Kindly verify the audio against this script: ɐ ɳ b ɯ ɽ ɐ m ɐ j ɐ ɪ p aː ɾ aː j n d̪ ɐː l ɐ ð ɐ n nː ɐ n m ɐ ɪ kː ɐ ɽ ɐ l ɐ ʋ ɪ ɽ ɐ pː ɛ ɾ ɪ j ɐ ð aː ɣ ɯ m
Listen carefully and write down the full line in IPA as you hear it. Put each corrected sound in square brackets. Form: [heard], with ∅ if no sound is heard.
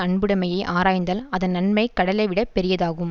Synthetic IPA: ɐ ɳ b ɯ ɽ ɐ m ɐ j ɐ ɪ [ʔ] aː ɾ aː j n d̪ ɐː l ɐ ð ɐ n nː ɐ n m ɐ ɪ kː ɐ ɽ ɐ l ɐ ʋ ɪ ɽ ɐ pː ɛ ɾ ɪ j ɐ ð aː ɣ ɯ m

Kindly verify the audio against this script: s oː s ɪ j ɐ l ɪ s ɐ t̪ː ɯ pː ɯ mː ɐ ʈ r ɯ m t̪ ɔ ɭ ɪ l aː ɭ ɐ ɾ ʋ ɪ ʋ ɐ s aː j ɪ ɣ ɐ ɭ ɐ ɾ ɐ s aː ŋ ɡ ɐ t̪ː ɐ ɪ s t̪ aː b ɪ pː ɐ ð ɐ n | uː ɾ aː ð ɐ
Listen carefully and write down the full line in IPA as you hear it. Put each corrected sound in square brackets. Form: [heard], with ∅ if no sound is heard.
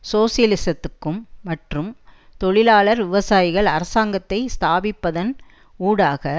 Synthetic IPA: s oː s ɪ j ɐ l ɪ s ɐ t̪ː ɯ [kː] ɯ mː ɐ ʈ r ɯ m t̪ ɔ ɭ ɪ l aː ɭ ɐ ɾ ʋ ɪ ʋ ɐ s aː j ɪ ɣ ɐ ɭ ɐ ɾ ɐ s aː ŋ ɡ ɐ t̪ː ɐ ɪ s t̪ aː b ɪ pː ɐ ð ɐ n | uː [ɽ] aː [ɣ] ɐ

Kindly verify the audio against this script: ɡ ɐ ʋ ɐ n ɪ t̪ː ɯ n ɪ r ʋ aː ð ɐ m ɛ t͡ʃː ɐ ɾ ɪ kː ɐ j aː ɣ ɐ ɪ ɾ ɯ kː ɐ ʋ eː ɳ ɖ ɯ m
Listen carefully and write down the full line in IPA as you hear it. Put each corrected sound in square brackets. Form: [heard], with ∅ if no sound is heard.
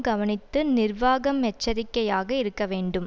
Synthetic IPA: ɡ ɐ ʋ ɐ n ɪ t̪ː ɯ n ɪ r ʋ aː [ɣ] ɐ m ɛ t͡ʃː ɐ ɾ ɪ kː ɐ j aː ɣ ɐ ɪ ɾ ɯ kː ɐ ʋ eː ɳ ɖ ɯ m

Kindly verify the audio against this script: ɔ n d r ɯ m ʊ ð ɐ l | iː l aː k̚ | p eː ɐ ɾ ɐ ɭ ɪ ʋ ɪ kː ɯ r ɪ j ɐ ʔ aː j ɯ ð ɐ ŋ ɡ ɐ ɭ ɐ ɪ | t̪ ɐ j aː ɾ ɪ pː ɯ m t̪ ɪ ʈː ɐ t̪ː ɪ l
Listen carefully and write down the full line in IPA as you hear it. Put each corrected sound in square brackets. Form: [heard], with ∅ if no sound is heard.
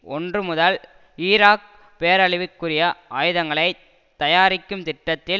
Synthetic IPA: ɔ n d r ɯ m ʊ ð ɐ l | iː [ɾ] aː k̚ | p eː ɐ ɾ ɐ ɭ ɪ ʋ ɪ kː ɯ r ɪ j ɐ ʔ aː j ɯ ð ɐ ŋ ɡ ɐ ɭ ɐ ɪ | t̪ ɐ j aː ɾ ɪ [kː] ɯ m t̪ ɪ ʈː ɐ t̪ː ɪ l

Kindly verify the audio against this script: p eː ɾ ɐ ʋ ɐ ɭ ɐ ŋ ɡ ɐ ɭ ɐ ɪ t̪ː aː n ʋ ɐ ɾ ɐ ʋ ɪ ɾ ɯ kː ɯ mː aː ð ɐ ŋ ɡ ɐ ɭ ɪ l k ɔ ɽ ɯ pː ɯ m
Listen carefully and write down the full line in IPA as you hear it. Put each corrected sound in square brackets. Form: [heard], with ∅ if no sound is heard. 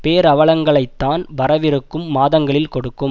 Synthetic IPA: p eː ɾ ɐ ʋ ɐ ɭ ɐ ŋ ɡ ɐ ɭ ɐ ɪ t̪ː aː n ʋ ɐ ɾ ɐ ʋ ɪ ɾ ɯ kː ɯ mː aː ð ɐ ŋ ɡ ɐ ɭ ɪ l k ɔ ɽ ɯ [kː] ɯ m

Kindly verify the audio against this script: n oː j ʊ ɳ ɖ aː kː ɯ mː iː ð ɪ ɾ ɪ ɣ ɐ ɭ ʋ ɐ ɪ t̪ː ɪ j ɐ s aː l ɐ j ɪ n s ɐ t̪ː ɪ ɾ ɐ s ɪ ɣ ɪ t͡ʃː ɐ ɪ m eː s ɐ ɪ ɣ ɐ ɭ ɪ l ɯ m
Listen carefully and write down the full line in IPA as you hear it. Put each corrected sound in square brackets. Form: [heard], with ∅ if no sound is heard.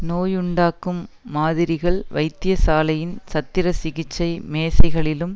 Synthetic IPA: n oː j ʊ ɳ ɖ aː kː ɯ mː [aː] ð ɪ ɾ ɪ ɣ ɐ ɭ ʋ ɐ ɪ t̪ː ɪ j ɐ s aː l ɐ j ɪ n s ɐ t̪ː ɪ ɾ ɐ s ɪ ɣ ɪ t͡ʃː ɐ ɪ m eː s ɐ ɪ ɣ ɐ ɭ ɪ l ɯ m

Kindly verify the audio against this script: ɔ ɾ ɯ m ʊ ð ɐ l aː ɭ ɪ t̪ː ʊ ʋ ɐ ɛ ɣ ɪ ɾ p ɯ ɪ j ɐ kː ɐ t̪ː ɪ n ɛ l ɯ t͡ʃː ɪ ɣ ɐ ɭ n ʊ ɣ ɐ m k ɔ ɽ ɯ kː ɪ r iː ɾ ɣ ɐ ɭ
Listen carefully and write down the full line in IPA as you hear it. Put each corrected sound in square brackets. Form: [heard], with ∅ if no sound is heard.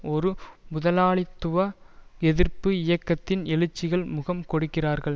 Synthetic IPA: ɔ ɾ ɯ m ʊ ð ɐ l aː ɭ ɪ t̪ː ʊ ʋ ɐ ɛ [ð] ɪ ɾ p ɯ ɪ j ɐ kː ɐ t̪ː ɪ n ɛ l ɯ t͡ʃː ɪ ɣ ɐ ɭ [m] ʊ ɣ ɐ m k ɔ ɽ ɯ kː ɪ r [aː] ɾ ɣ ɐ ɭ

